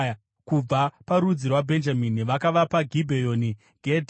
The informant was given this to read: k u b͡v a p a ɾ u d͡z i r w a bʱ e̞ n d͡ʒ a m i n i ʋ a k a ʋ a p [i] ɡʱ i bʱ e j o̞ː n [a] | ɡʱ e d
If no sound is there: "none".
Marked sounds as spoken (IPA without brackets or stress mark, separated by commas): a, i